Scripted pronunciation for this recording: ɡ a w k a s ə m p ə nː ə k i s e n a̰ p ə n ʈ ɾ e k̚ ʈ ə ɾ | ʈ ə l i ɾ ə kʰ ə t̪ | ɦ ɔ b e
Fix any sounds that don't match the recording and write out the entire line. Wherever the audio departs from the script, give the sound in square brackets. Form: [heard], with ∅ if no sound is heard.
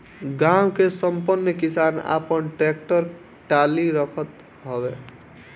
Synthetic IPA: ɡ a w k [e] s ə m p ə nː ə k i s [a] n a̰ p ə n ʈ ɾ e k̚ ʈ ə ɾ | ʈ [a] l i ɾ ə kʰ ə t̪ | ɦ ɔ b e